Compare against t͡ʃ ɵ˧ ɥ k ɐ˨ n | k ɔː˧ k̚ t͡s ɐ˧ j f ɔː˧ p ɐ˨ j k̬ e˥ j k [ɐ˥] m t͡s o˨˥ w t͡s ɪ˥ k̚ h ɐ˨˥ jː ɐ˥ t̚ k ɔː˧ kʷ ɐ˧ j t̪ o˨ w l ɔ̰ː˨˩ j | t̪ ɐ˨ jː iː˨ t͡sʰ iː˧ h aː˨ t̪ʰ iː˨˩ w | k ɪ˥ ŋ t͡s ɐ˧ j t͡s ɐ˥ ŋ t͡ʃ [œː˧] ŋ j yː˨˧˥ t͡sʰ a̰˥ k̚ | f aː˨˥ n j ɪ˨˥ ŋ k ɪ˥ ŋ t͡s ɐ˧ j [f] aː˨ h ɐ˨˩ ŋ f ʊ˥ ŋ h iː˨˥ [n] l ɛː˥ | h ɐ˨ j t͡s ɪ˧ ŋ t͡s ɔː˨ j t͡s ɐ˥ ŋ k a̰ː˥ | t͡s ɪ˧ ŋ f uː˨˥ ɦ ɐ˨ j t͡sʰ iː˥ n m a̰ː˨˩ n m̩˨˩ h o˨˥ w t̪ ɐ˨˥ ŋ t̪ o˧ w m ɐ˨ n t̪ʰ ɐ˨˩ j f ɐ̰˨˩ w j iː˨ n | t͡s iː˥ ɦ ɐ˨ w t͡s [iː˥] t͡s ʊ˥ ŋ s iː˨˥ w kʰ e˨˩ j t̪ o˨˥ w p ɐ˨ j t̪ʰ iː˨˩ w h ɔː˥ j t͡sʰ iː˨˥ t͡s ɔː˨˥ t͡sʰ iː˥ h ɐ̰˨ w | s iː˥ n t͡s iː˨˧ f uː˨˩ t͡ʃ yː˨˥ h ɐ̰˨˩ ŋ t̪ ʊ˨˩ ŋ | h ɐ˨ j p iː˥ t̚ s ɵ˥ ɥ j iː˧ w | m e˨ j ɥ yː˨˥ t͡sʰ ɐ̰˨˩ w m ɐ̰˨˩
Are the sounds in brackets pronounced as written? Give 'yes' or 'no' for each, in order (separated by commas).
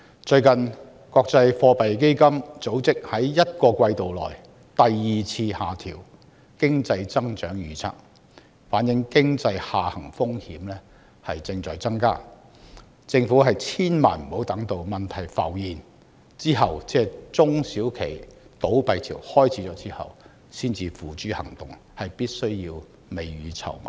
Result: yes, no, no, no, no